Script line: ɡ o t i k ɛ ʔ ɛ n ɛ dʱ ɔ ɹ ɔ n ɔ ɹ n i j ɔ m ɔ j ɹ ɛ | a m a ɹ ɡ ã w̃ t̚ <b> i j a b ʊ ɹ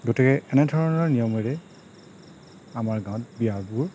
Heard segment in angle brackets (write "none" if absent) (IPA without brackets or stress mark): b